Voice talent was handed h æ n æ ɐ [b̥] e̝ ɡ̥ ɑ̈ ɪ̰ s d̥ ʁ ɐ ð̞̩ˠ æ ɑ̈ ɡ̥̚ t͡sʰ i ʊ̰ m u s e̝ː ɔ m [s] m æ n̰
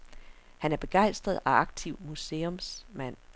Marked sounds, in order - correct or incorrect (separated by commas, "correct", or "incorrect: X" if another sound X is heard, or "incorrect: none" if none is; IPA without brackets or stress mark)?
correct, correct